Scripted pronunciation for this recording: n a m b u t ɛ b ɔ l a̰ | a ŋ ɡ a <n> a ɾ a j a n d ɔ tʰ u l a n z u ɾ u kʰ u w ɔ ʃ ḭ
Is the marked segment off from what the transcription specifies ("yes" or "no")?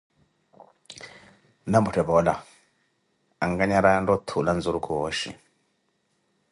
yes